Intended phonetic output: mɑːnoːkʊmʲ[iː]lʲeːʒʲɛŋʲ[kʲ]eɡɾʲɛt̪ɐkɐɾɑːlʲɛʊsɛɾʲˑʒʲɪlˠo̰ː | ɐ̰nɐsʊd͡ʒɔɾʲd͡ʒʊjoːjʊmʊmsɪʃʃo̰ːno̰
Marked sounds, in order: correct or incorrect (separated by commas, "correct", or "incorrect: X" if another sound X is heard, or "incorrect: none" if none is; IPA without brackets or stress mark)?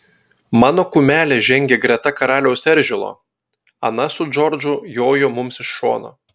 incorrect: æː, incorrect: ɡʲ